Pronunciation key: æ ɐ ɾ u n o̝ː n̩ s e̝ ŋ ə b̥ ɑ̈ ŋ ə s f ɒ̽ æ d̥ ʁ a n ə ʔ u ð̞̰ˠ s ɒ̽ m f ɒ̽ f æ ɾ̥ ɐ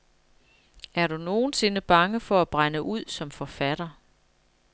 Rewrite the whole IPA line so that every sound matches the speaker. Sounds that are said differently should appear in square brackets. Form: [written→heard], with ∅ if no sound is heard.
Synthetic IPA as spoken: æ ɐ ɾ u n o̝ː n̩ s e̝ [ŋ→n] ə b̥ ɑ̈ ŋ ə [s→∅] f ɒ̽ æ [d̥→b̥] ʁ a n ə ʔ u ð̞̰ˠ s ɒ̽ m f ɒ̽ f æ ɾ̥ ɐ